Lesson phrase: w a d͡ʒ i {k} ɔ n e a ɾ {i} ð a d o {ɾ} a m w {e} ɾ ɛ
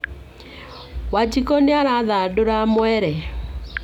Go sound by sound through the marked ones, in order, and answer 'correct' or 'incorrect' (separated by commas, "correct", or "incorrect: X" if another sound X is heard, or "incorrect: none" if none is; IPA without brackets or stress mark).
correct, incorrect: a, correct, incorrect: ɛ